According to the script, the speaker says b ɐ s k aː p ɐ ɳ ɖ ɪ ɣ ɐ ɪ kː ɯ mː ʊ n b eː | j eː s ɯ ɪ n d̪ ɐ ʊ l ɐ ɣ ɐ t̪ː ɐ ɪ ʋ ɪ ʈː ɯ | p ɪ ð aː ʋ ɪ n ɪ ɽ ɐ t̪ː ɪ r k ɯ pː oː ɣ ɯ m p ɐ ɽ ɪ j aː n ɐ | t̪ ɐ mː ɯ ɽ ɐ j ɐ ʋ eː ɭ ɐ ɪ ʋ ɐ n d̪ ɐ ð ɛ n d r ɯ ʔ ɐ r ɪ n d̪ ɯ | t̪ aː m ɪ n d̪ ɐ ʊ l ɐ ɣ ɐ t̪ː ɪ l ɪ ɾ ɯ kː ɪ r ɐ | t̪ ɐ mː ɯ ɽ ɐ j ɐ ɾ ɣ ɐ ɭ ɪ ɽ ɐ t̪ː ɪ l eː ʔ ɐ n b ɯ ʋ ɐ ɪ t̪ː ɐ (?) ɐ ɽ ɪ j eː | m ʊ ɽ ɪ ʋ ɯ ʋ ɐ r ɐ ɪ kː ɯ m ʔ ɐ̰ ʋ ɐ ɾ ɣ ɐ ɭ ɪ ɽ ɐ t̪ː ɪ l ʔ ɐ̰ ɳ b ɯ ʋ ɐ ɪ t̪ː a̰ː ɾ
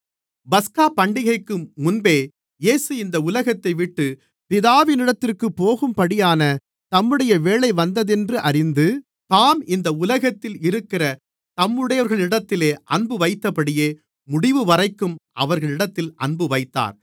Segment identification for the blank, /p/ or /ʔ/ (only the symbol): p